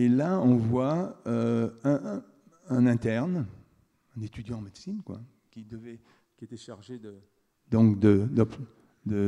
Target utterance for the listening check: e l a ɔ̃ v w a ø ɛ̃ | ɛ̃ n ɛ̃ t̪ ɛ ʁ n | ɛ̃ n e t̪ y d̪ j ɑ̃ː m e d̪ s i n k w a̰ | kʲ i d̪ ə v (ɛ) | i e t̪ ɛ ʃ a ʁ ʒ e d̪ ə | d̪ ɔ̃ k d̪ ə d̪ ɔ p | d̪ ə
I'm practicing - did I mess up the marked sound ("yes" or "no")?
no